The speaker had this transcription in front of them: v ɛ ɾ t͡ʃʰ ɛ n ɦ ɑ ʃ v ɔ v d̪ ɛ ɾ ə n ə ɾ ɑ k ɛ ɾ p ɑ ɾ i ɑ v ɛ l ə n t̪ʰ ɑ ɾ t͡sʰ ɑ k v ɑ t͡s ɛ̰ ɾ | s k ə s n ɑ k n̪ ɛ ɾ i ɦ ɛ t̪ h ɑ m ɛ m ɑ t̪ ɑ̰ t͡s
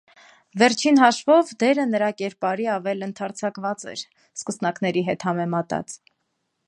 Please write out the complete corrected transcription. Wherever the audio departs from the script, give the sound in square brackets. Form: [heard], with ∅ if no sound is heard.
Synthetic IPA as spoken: v ɛ ɾ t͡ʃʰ [i] n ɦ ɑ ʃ v ɔ v d̪ ɛ ɾ ə n ə ɾ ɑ k ɛ ɾ p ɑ ɾ i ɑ v ɛ l ə n t̪ʰ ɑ ɾ t͡sʰ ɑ k v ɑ t͡s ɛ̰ ɾ | s k ə s n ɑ k n̪ ɛ ɾ i ɦ ɛ t̪ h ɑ m ɛ m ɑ t̪ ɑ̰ t͡s